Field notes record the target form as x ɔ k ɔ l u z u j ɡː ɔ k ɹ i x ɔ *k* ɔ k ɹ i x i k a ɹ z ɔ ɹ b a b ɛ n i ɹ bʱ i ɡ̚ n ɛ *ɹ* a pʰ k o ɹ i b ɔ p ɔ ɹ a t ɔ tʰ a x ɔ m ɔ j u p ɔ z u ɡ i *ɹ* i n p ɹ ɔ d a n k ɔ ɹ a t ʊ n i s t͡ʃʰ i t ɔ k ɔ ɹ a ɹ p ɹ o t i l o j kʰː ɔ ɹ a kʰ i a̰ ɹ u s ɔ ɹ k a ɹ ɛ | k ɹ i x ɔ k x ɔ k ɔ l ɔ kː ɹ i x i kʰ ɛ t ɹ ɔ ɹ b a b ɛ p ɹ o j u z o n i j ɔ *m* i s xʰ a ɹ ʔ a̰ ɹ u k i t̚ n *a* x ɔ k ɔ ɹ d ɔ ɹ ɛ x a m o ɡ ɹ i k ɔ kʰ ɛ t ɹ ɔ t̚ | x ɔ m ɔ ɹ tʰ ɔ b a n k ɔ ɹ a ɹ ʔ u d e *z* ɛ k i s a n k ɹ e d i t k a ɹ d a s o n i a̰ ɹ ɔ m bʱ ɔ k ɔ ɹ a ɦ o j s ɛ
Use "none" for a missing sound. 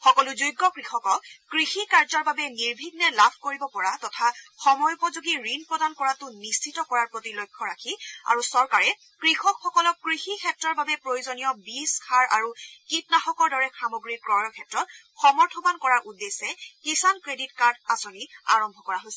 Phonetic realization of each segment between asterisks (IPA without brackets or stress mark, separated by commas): k, l, ɹ, b, a, s